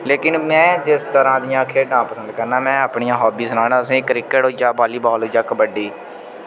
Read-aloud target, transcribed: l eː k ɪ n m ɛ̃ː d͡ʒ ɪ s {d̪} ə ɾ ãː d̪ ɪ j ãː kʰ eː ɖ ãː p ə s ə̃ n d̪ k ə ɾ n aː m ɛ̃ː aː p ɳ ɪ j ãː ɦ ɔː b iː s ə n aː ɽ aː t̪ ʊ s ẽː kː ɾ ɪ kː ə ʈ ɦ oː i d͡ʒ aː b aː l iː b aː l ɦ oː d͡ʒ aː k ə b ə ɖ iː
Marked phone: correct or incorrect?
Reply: incorrect